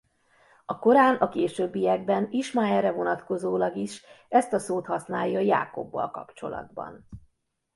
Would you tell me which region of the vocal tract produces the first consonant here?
velum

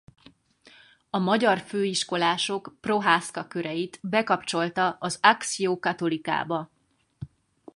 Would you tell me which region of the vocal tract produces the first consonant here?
lips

